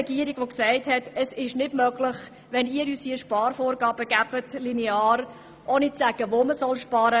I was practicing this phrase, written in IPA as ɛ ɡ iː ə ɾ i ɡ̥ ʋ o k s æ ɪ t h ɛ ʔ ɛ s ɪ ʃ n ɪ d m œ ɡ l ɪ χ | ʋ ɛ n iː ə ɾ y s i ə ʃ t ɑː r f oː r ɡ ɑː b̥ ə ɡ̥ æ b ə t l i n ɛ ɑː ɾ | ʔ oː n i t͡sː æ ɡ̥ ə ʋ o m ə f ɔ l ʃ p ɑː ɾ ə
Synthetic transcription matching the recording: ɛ ɡ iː ə ɾ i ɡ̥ ʋ o k s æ ɪ t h ɛ t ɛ s ɪ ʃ n ɪ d m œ ɡ l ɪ χ | ʋ ɛ n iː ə ɾ y s i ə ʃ p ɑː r f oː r ɡ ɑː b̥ ə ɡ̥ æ b ə t l i n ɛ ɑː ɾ | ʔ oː n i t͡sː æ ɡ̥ ə ʋ o m ə s ɔ l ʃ p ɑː ɾ ə